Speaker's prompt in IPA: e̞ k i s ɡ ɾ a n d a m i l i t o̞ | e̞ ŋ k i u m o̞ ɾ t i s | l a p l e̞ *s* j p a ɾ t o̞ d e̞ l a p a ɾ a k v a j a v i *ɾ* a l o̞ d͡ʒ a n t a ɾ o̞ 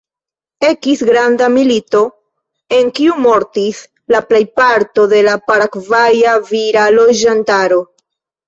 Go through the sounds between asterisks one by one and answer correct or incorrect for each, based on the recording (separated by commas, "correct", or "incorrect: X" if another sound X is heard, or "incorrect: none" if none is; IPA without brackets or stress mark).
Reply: incorrect: none, correct